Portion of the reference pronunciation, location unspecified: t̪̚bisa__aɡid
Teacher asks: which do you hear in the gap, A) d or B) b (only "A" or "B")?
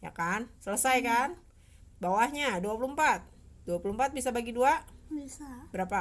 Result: B